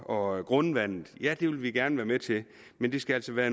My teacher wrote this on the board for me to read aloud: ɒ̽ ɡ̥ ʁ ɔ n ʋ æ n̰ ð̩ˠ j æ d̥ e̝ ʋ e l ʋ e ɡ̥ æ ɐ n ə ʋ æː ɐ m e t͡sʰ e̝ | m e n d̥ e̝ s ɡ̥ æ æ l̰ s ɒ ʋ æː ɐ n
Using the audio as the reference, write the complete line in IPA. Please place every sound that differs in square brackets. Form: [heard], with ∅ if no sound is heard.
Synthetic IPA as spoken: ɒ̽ ɡ̥ ʁ ɔ n ʋ æ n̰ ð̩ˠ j æ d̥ e̝ ʋ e l ʋ [i] ɡ̥ æ ɐ n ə ʋ æː ɐ m e t͡sʰ e̝ | m e n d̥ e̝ s ɡ̥ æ æ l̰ s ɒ ʋ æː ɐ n